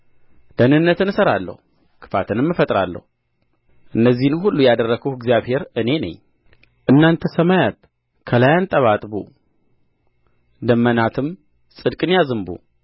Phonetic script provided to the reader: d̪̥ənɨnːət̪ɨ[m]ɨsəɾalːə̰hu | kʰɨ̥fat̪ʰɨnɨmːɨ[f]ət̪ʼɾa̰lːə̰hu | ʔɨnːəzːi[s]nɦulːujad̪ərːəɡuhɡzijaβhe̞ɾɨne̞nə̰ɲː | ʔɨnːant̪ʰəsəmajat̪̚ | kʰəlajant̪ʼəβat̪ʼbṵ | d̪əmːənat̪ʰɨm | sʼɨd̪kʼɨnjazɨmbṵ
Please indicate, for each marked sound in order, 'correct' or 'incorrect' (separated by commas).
incorrect, correct, incorrect